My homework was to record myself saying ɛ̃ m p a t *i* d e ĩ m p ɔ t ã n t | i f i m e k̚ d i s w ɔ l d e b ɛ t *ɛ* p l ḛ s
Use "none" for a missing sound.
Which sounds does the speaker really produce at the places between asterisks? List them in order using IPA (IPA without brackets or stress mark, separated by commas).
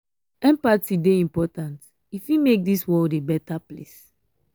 i, a